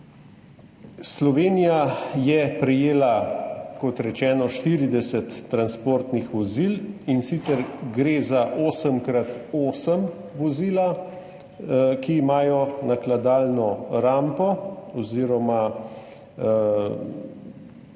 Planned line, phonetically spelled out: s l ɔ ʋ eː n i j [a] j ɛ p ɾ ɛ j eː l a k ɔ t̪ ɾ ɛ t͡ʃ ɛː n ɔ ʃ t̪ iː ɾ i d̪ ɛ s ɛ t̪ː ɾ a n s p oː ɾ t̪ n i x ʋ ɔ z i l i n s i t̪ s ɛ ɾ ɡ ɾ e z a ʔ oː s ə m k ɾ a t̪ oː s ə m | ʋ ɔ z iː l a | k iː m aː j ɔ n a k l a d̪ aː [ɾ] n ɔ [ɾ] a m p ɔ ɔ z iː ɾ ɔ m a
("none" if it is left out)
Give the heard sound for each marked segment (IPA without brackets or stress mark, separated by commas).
a, l, ɾ